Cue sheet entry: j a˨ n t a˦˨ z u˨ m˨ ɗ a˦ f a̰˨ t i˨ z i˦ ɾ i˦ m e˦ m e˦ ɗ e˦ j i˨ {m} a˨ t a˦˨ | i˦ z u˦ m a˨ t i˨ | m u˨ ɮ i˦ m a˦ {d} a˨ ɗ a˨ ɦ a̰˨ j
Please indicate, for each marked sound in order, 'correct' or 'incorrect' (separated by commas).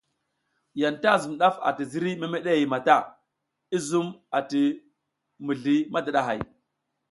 correct, correct